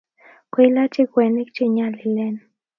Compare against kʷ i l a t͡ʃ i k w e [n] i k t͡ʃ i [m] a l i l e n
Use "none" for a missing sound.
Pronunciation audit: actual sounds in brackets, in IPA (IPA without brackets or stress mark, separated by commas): n, ɲ